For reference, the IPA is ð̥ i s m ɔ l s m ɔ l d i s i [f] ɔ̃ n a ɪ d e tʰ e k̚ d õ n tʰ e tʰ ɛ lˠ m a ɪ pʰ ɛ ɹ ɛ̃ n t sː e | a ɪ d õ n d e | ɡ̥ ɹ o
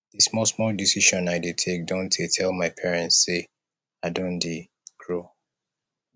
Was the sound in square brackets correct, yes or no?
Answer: no